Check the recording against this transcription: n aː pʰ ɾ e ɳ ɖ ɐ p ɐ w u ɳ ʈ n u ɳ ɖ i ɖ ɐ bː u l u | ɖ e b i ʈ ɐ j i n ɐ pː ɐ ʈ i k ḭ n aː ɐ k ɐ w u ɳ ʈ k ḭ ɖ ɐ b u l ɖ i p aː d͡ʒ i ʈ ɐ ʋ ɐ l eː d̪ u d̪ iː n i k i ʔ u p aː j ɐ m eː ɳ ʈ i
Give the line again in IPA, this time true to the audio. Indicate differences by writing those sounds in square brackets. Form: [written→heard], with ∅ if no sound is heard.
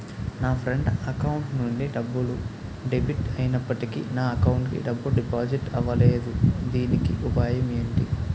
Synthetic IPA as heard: n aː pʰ ɾ e ɳ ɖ ɐ [p→k] ɐ w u ɳ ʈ n u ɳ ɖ i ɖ ɐ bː u l u | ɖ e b i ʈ ɐ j i n ɐ pː ɐ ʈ i k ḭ n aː ɐ k ɐ w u ɳ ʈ k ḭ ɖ ɐ [b→bː] u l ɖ i p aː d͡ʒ i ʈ ɐ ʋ ɐ l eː d̪ u d̪ iː n i k i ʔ u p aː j ɐ m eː ɳ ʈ i